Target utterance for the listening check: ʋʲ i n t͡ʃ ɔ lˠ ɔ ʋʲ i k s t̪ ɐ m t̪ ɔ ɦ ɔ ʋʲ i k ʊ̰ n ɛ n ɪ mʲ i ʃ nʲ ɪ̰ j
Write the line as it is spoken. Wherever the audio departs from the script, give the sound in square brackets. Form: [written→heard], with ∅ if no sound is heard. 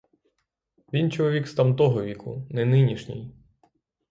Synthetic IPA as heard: ʋʲ i n t͡ʃ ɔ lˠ ɔ ʋʲ i k s t̪ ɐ m t̪ ɔ ɦ ɔ ʋʲ i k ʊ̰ n ɛ n ɪ [mʲ→nʲ] i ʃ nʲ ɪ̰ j